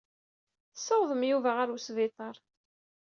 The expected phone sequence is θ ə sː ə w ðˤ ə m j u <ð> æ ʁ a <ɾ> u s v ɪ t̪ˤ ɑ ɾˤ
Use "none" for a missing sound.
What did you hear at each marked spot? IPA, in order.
v, ɾ

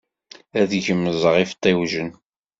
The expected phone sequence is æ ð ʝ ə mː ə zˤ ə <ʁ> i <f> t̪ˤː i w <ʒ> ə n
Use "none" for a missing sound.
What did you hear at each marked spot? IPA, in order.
ʁ, f, ʒ

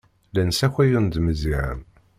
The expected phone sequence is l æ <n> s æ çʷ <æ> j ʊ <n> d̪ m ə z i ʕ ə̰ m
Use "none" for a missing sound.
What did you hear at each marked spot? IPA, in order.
n, æ, n

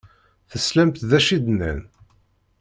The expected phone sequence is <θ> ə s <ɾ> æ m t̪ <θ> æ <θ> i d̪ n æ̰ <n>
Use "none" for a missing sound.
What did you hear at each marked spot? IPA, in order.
θ, l, ð, ʃ, n

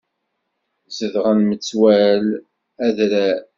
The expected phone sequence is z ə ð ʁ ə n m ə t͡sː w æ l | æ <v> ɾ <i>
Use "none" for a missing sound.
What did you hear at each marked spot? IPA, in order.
ð, æ

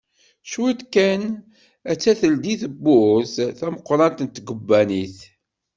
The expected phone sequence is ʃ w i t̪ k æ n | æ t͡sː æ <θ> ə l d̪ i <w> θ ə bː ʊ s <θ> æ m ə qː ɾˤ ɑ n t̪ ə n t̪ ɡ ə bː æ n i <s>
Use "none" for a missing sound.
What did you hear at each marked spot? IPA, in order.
θ, none, θ, θ

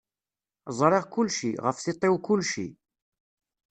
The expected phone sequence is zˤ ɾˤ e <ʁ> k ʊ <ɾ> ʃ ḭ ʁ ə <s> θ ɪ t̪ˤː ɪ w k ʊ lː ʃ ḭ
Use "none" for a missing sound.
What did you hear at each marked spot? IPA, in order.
ʁ, l, f

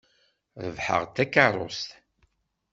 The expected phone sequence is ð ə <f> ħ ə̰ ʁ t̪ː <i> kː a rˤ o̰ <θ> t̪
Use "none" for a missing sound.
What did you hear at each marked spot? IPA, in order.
v, æ, s

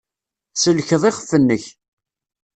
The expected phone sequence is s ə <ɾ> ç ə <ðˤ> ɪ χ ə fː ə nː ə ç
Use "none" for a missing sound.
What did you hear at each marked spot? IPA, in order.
l, ðˤ

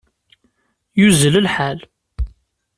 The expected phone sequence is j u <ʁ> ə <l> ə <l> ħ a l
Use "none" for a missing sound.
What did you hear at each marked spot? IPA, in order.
z, l, l

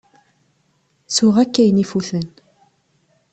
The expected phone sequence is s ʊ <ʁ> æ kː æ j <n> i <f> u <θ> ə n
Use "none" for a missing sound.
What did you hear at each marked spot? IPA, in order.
ʁ, n, f, θ

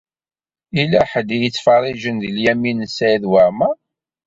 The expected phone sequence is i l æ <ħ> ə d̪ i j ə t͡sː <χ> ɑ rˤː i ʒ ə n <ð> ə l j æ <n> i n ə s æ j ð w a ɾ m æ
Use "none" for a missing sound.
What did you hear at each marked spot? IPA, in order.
ħ, f, ð, m

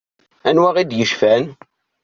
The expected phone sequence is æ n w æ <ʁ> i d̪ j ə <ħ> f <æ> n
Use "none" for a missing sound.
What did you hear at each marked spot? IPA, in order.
ʁ, ʃ, æ

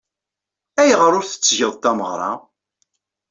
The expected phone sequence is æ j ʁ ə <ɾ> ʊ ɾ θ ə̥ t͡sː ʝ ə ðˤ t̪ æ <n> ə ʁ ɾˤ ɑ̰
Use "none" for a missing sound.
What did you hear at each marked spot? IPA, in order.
ɾ, m

